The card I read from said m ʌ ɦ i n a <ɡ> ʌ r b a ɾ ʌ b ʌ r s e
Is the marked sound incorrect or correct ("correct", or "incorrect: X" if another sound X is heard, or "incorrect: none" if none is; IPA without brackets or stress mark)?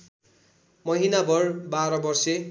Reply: incorrect: b